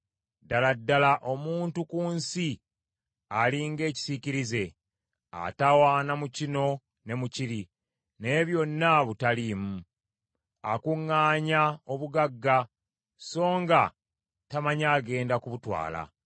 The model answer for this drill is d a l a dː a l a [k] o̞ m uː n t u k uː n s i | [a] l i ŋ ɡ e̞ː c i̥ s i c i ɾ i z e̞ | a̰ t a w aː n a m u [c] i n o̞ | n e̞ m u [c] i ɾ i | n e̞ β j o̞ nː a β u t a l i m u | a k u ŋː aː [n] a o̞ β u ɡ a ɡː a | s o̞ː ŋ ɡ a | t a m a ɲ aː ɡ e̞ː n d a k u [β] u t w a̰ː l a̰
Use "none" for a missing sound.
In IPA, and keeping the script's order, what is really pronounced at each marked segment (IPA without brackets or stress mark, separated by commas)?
ʔ, a, c, c, ɲ, β